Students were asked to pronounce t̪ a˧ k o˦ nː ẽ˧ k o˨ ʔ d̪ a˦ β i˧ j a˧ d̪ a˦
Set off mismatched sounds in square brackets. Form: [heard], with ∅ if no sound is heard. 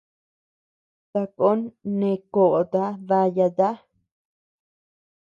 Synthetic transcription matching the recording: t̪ a˧ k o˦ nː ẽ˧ k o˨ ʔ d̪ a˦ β [a˧] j a˧ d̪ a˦